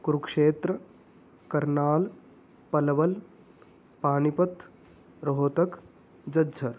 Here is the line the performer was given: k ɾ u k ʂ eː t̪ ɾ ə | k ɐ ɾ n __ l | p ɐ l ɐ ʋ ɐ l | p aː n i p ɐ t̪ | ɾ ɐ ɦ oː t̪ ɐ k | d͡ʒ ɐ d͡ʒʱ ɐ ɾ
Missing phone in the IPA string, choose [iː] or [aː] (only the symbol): aː